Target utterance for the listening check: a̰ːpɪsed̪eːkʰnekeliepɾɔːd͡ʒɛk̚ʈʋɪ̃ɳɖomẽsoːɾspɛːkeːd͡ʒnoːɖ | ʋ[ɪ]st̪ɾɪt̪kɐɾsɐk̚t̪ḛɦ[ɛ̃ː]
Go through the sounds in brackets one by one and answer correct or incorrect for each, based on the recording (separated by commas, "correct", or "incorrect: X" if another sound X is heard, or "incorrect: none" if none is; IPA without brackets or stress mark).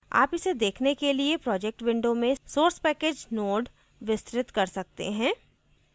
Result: correct, correct